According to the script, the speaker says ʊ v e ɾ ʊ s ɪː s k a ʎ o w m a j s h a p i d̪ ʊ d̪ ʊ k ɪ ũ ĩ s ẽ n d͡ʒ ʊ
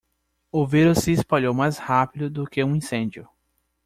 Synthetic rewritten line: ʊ v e ɾ ʊ s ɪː s p a ʎ o w m a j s h a p i d̪ ʊ d̪ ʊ k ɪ ũ ĩ s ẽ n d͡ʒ ʊ